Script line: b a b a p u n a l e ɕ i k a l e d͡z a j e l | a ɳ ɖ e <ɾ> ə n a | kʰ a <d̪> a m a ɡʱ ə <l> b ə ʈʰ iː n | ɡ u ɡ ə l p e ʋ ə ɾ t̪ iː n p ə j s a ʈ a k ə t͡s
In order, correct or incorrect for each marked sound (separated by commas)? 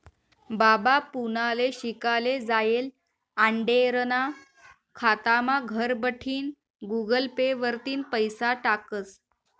correct, incorrect, incorrect